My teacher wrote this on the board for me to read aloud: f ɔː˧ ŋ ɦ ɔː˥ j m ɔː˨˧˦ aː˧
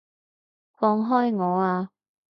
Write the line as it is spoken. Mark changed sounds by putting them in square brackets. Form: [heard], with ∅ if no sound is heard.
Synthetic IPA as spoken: f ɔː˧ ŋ ɦ ɔː˥ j [ŋ] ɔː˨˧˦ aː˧